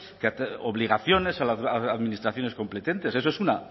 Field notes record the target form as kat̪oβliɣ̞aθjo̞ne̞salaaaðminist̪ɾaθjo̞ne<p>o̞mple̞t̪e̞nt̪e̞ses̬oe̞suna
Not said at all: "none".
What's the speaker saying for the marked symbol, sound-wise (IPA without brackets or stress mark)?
k